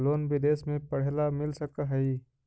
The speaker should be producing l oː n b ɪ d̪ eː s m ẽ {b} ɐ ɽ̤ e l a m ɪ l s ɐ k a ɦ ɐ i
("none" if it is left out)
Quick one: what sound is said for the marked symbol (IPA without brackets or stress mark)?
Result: p